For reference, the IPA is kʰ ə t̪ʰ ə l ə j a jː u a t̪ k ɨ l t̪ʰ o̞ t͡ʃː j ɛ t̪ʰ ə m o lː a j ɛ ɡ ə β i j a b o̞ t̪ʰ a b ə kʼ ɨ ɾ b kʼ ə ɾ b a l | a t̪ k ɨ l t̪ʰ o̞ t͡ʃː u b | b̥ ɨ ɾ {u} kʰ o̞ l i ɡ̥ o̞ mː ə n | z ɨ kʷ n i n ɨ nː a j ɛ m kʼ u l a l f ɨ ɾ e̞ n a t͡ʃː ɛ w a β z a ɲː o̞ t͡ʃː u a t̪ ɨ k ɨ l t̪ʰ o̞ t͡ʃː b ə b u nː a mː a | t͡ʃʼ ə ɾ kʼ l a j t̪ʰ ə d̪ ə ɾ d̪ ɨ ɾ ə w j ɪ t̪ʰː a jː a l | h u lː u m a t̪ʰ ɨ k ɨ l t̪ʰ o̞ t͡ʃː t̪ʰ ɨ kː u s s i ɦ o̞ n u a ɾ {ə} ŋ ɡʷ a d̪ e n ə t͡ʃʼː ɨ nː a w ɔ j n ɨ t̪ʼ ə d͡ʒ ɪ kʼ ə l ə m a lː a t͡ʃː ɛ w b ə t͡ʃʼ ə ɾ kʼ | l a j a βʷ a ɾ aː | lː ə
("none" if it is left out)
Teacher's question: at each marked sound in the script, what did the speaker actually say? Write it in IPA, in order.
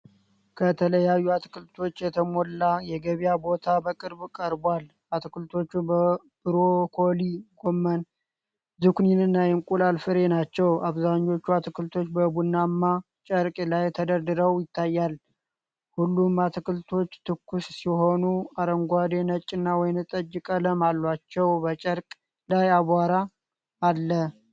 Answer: o, ə

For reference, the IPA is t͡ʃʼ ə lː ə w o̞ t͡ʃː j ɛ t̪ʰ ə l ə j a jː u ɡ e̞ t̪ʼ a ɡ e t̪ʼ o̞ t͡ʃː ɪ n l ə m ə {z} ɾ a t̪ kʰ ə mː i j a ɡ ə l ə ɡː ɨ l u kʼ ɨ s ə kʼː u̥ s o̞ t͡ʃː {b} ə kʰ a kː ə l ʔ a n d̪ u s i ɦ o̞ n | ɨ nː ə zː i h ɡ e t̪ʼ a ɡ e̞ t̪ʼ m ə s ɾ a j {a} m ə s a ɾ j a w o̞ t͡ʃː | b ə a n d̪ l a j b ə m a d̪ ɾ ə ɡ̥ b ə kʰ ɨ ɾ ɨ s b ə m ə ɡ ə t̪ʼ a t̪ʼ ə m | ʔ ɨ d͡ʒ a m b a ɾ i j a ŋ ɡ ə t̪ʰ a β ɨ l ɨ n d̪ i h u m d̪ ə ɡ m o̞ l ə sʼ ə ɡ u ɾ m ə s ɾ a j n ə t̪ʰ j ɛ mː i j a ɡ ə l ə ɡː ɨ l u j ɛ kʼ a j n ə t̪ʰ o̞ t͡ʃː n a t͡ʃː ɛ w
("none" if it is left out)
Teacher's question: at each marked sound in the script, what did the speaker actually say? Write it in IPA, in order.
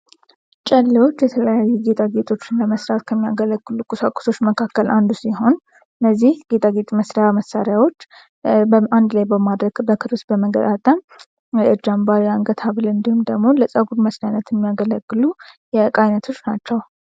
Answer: s, m, a

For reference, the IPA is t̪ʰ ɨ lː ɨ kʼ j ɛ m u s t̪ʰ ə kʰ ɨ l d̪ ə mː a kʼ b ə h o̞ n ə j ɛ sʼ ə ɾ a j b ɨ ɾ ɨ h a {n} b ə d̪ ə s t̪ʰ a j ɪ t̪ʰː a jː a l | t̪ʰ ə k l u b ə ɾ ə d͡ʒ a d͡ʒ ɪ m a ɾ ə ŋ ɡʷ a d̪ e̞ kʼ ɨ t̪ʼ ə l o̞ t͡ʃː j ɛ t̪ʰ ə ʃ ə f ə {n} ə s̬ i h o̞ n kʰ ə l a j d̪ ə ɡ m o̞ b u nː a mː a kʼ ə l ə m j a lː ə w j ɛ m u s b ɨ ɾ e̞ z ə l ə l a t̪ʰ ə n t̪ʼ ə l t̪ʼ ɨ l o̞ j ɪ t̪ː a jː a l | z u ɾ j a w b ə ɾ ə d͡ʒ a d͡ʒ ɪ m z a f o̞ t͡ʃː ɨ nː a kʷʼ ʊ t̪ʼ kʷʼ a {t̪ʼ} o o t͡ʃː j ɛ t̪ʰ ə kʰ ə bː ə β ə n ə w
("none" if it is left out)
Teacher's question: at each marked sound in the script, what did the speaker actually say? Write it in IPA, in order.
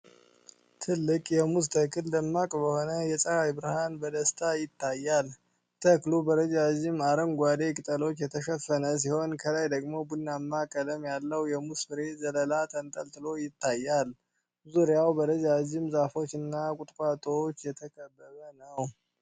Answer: n, n, t̪ʼ

